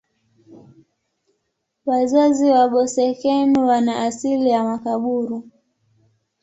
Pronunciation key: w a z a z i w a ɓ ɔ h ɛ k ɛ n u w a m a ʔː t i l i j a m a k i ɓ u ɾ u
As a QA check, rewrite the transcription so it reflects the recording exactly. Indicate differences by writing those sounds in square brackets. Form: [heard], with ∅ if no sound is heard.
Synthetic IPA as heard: w a z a z i w a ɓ ɔ [s] ɛ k ɛ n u w a [n] a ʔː [s] i l i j a m a k [a] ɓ u ɾ u